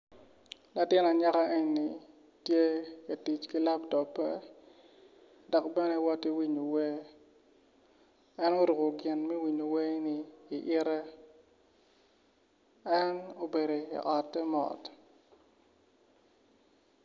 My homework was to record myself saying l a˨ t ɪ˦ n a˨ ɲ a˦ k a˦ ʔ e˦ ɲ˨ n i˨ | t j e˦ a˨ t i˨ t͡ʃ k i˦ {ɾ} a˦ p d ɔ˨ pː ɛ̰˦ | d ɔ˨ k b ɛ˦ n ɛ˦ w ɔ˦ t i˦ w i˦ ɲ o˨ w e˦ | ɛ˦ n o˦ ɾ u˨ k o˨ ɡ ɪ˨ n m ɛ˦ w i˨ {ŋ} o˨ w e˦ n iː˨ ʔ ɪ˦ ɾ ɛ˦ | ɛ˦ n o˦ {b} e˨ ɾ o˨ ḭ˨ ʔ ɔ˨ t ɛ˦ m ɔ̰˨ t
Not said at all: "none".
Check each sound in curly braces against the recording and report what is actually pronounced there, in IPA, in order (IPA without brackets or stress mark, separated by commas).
l, ɲ, b